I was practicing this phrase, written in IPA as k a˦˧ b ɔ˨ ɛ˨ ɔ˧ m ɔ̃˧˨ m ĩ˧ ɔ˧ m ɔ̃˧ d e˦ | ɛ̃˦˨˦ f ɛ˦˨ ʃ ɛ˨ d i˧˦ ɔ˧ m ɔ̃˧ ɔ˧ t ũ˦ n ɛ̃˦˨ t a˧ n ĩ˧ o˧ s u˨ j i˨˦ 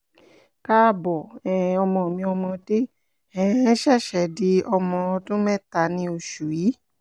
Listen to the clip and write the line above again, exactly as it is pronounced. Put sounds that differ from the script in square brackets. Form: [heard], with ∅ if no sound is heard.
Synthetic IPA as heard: k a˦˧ b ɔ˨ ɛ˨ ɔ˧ m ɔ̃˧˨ m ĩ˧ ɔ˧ m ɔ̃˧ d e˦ | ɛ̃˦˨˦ [ʃ] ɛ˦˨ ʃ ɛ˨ d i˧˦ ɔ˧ m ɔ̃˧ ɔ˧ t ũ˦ [m] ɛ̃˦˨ t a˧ n ĩ˧ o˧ [ʃ] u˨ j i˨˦

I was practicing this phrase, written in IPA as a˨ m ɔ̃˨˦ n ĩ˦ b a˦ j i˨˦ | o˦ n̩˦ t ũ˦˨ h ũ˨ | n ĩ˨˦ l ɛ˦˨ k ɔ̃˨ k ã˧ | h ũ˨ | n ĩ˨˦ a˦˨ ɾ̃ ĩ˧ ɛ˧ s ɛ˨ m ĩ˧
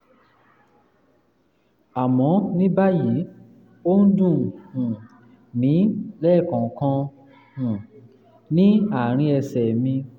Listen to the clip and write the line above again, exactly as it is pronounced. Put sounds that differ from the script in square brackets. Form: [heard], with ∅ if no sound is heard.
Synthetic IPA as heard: a˨ m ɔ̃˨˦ n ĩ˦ b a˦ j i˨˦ | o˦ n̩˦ [d] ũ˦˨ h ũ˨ | n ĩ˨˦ l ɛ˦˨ k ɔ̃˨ k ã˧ | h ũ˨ | n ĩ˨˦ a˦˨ ɾ̃ ĩ˧ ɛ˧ s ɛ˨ m ĩ˧

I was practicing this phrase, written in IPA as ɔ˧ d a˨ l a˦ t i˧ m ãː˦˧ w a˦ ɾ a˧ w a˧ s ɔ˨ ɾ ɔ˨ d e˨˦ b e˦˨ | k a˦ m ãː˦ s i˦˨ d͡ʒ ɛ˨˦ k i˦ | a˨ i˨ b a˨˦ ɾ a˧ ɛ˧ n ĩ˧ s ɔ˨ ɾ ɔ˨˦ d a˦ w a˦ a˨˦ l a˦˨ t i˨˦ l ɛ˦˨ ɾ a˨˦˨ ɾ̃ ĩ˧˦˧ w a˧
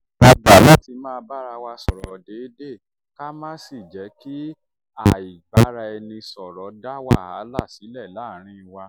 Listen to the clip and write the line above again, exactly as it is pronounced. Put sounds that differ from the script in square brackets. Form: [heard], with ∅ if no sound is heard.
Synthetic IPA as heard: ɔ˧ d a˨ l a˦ t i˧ m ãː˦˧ [b] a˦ ɾ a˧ w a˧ s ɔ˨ ɾ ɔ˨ d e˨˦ [d] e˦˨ | k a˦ m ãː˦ s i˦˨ d͡ʒ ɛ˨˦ k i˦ | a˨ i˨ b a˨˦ ɾ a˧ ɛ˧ n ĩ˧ s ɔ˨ ɾ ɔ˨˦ d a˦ w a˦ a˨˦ l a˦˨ [s] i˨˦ l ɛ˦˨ [l] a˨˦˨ ɾ̃ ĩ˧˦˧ w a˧

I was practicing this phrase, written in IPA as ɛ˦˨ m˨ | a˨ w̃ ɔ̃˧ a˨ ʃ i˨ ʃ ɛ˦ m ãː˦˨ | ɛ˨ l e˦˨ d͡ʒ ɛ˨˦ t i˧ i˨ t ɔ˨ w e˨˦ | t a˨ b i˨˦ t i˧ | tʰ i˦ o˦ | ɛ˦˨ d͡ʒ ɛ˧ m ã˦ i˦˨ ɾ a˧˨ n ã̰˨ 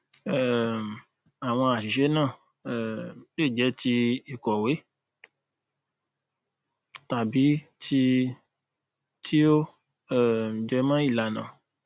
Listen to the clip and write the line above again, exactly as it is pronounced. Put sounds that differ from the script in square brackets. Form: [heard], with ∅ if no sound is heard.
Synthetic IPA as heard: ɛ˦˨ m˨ | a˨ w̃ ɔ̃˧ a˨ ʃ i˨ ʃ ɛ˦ [n] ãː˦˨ | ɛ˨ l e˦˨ d͡ʒ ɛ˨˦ t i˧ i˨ [k] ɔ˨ w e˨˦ | t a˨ b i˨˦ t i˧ | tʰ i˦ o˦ | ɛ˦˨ d͡ʒ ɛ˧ m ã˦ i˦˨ [l] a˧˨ n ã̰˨

